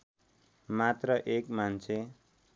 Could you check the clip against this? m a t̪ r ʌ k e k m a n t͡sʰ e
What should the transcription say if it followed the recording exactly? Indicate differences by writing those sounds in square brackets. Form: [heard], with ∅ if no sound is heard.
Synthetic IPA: m a t̪ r ʌ [ʔ] e k m a n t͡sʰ e